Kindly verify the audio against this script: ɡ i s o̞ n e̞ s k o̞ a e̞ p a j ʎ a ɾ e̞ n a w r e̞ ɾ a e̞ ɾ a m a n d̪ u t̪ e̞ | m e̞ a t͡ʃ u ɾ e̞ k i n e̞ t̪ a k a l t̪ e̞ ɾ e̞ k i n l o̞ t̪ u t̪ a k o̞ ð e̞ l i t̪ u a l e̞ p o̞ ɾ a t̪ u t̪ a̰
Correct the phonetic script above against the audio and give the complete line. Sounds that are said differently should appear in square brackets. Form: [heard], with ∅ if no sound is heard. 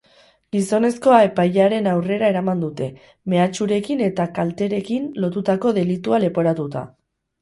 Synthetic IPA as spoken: ɡ i s o̞ n e̞ s k o̞ a e̞ p a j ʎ a ɾ e̞ n a w r e̞ ɾ a e̞ ɾ a m a n d̪ u t̪ e̞ | m e̞ a t͡ʃ u ɾ e̞ k i n e̞ t̪ a k a l t̪ e̞ ɾ e̞ k i n l o̞ t̪ u t̪ a k o̞ ð e̞ l i t̪ u a l e̞ p o̞ ɾ a t̪ u t̪ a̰